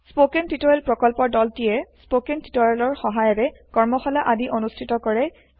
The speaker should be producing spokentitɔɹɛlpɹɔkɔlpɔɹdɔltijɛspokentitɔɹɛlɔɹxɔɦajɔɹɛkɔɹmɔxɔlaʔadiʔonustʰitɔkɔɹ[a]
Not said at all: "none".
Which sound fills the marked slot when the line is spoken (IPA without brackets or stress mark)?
ɛ